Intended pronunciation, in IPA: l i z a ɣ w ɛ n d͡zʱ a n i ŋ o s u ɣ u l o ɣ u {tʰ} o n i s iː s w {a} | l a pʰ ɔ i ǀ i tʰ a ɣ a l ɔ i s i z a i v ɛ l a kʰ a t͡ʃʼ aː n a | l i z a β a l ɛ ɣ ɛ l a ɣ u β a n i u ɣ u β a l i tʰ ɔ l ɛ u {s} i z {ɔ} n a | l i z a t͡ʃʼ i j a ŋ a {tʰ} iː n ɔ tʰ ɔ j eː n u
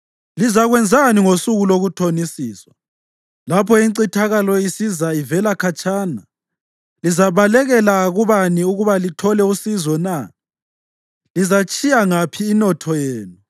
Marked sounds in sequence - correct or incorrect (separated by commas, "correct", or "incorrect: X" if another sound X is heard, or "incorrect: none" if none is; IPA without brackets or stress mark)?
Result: correct, correct, correct, correct, incorrect: pʰ